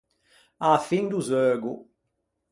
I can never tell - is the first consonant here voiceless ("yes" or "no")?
yes